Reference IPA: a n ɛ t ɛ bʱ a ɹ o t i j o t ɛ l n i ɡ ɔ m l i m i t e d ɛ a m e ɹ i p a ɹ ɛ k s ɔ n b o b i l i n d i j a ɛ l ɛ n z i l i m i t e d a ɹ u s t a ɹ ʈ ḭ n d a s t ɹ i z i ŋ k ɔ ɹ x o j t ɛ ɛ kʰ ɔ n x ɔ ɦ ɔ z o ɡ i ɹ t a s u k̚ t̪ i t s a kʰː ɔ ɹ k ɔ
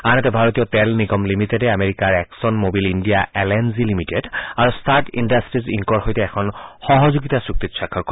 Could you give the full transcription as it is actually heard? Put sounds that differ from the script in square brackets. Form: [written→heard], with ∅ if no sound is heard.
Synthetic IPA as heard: a n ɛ t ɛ bʱ a ɹ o t i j [o→ɔ] t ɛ l n i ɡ ɔ m l i m i t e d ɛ a m e ɹ i [p→k] a ɹ ɛ k s ɔ n [b→m] o b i l i n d i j a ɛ l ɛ n z i l i m i t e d a ɹ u s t a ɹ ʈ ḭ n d a s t ɹ i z i ŋ k ɔ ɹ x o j t ɛ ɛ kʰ ɔ n x ɔ ɦ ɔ z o ɡ i [ɹ→∅] t a s u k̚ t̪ i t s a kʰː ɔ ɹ k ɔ